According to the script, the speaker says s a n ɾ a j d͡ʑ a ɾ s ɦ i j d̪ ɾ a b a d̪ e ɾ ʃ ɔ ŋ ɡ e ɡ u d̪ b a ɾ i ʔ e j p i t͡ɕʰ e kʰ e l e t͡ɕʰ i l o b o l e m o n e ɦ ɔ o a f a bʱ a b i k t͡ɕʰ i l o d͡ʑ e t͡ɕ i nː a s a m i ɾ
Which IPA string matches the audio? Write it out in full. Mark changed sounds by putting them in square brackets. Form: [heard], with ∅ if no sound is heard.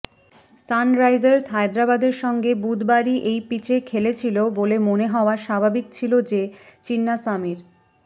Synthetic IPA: s a n ɾ a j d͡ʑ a ɾ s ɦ [a] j d̪ ɾ a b a d̪ e ɾ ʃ ɔ ŋ ɡ e [b] u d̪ b a ɾ i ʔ e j p i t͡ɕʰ e kʰ e l e t͡ɕʰ i l o b o l e m o n e ɦ ɔ o a [ʃ] a bʱ a b i k t͡ɕʰ i l o d͡ʑ e t͡ɕ i nː a s a m i ɾ